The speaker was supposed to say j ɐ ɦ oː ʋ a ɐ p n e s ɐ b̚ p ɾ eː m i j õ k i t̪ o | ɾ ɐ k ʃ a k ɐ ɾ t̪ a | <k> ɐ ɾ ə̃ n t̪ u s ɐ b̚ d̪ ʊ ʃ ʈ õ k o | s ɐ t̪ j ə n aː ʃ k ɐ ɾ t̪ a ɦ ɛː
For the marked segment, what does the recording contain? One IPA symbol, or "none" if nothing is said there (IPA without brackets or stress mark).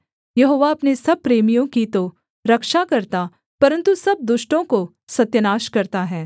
p